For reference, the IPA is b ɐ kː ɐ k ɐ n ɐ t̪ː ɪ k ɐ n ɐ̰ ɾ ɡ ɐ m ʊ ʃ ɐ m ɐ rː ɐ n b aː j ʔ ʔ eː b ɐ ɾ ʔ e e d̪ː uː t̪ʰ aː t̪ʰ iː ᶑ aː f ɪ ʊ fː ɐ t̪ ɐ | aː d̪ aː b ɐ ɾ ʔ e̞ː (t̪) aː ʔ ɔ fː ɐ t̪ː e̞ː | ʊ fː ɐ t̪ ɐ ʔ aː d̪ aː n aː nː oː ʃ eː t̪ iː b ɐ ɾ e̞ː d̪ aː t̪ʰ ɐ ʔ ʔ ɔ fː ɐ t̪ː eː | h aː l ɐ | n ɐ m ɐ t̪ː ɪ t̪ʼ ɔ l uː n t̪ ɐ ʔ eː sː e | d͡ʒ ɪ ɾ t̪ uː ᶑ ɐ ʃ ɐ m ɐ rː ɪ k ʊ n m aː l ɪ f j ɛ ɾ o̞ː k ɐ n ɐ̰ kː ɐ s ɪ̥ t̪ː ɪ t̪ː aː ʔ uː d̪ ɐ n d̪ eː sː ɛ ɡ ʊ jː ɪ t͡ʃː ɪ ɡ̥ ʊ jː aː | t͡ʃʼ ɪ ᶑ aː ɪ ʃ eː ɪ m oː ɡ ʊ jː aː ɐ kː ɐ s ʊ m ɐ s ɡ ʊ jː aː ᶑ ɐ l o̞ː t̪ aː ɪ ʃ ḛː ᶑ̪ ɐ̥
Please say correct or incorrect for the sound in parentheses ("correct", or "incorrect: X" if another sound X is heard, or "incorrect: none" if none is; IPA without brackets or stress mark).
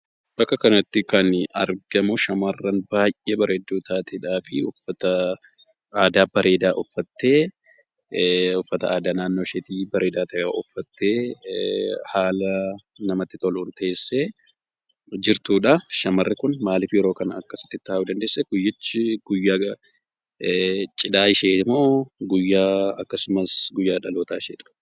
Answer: incorrect: d̪